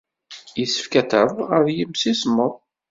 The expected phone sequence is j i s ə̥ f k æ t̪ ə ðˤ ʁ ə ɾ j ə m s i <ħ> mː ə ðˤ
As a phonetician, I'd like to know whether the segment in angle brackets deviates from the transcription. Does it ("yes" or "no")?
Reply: yes